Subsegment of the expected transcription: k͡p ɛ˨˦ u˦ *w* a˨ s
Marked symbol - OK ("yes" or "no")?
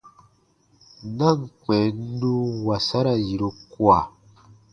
yes